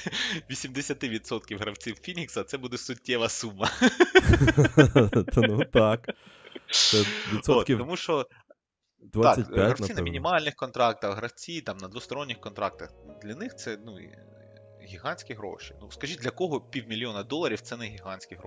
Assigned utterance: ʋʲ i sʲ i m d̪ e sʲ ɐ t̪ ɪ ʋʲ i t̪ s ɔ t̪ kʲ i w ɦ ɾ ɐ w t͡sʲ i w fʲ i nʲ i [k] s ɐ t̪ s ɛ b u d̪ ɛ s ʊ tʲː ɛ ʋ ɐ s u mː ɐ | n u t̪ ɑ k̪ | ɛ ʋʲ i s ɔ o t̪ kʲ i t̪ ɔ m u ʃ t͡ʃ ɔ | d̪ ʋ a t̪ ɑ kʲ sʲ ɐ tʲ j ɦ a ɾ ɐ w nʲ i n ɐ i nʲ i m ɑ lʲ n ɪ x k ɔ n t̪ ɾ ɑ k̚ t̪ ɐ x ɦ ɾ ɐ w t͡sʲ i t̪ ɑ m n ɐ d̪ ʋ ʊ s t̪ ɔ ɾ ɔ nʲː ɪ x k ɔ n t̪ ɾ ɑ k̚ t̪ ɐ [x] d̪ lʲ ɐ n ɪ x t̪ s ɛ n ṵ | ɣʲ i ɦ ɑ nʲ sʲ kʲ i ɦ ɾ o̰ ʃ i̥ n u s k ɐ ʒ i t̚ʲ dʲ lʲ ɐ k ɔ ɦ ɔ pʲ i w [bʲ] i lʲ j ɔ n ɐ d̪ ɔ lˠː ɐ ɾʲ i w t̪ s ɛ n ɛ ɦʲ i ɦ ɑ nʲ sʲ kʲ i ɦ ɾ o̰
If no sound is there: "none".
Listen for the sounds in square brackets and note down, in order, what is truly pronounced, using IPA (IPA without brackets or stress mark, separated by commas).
k, x, mʲ